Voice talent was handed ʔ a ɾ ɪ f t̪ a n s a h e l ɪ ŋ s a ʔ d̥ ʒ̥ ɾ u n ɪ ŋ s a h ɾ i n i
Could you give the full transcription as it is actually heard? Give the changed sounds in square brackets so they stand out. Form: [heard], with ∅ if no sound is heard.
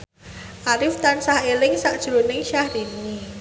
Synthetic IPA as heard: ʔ a ɾ ɪ f t̪ a n s a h e l ɪ ŋ s a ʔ d̥ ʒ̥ ɾ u n ɪ ŋ [ʃ] a h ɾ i n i

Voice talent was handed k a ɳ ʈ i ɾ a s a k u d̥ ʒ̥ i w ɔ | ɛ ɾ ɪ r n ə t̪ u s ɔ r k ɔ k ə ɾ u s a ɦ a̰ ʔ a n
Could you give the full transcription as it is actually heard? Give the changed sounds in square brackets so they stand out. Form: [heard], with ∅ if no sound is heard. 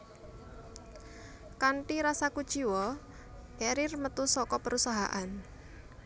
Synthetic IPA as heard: k a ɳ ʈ i ɾ a s a k u d̥ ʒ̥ i w ɔ | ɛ ɾ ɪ r [m] ə t̪ u s ɔ [∅] k ɔ [p] ə ɾ u s a ɦ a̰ ʔ a n

